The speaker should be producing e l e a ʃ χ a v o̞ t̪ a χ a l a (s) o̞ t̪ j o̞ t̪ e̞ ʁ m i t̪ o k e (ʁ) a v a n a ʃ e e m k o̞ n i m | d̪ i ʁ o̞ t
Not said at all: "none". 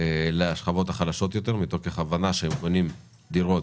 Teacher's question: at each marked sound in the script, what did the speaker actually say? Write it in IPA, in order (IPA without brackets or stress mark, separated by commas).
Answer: ʃ, χ